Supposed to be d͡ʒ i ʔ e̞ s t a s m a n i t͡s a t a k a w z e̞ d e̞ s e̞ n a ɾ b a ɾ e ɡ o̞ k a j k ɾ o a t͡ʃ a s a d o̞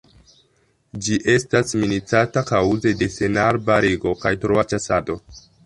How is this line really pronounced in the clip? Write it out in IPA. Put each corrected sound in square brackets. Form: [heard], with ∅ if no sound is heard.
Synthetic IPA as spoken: d͡ʒ i ʔ e̞ s t a s m [i] n i t͡s a t a k a w z e̞ d e̞ s e̞ n a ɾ b a ɾ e ɡ o̞ k a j [t] ɾ o a t͡ʃ a s a d o̞

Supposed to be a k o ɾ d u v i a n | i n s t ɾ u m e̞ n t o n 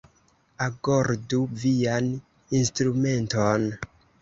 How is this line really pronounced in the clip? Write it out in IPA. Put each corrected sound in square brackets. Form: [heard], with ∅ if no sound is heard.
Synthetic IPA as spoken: a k o ɾ d u v i a n | i n s t ɾ u m e̞ n t o n

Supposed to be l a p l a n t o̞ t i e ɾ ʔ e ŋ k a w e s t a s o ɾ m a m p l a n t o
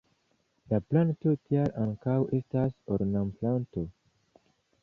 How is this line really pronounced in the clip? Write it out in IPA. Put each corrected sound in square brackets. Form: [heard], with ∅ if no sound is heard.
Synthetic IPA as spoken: l a p l a n t o̞ t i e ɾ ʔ [a] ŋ k a w e s t a s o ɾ [n] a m p l a n t o

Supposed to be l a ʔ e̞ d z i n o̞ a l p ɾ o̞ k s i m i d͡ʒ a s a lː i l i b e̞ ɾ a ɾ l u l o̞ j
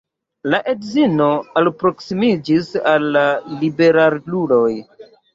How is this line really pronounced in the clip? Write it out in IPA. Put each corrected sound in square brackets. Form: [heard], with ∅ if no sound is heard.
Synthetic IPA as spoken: l a ʔ e̞ d z i n o̞ a l p ɾ o̞ k s i m i d͡ʒ [i] s a lː [a] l i b e̞ ɾ a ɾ l u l o̞ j

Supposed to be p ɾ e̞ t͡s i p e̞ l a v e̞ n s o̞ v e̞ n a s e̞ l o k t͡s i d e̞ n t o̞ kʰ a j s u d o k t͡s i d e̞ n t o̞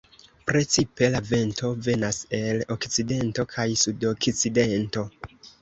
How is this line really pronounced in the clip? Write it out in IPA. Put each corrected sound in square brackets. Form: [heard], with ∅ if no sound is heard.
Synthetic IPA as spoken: p ɾ e̞ t͡s i p e̞ l a v e̞ n [t] o̞ v e̞ n a s e̞ l o k t͡s i d e̞ n t o̞ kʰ a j s u d o k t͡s i d e̞ n t o̞

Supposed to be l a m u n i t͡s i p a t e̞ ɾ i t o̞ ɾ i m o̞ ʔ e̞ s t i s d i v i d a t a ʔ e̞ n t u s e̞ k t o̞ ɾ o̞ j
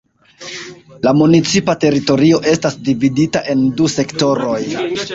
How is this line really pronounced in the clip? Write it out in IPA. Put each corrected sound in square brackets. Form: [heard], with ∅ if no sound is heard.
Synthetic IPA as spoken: l a m u n i t͡s i p a t e̞ ɾ i t o̞ ɾ i [∅] o̞ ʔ e̞ s t [a] s d i v i d [i] t a ʔ e̞ n [d] u s e̞ k t o̞ ɾ o̞ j

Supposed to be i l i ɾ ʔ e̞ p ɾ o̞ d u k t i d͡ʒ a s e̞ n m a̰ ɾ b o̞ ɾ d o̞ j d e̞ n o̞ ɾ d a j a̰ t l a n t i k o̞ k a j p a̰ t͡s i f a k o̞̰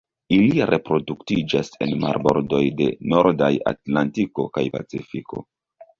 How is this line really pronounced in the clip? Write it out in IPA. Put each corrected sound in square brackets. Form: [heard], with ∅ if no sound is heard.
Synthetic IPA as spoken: i l i ɾ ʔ e̞ p ɾ o̞ d u k t i d͡ʒ a s e̞ n m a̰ ɾ b o̞ ɾ d o̞ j d e̞ n o̞ ɾ d a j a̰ t l a n t i k o̞ k a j p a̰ t͡s i f [i] k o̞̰

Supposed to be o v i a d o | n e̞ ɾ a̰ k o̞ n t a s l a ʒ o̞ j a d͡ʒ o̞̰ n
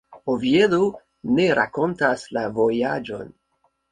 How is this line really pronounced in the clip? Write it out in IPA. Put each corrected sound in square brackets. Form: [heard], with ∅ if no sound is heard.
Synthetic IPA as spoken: o v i [e] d o | n e̞ ɾ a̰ k o̞ n t a s l a [v] o̞ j a d͡ʒ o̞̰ n

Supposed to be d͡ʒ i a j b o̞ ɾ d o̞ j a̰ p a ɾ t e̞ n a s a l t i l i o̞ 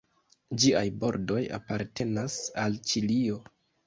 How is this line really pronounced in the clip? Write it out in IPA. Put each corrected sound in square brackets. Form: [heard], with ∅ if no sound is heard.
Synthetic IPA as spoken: d͡ʒ i a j b o̞ ɾ d o̞ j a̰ p a ɾ t e̞ n a s a l [t͡ʃ] i l i o̞

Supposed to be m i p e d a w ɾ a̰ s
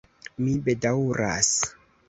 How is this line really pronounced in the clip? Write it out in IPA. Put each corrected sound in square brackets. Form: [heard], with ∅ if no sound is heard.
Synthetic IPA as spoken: m i [b] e d a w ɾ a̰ s

